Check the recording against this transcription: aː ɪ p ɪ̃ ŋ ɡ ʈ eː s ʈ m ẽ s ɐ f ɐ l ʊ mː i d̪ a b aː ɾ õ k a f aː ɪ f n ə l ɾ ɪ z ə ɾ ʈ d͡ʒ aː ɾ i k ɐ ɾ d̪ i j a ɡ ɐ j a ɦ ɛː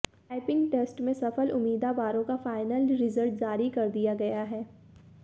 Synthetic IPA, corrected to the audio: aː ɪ p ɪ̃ ŋ ɡ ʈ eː s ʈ m ẽ s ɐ f ə l ʊ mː iː d̪ a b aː ɾ õ k a f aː ɪ n ə l ɾ ɪ z ə ɾ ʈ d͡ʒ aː ɾ i k ɐ ɾ d̪ i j a ɡ ɐ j a ɦ ɛː